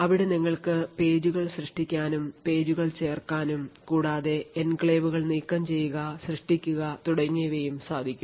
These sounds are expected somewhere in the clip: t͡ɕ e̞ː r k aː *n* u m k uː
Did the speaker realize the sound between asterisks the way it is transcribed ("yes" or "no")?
yes